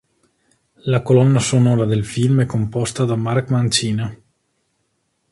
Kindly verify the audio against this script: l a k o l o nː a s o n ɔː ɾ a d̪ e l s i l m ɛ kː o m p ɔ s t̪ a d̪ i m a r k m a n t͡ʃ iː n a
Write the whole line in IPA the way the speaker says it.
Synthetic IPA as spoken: l a k o l ɔ nː a s o n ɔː ɾ a d̪ e l f i l m ɛ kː o m p ɔ s t̪ a d̪ a m a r k m a n t͡ʃ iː n a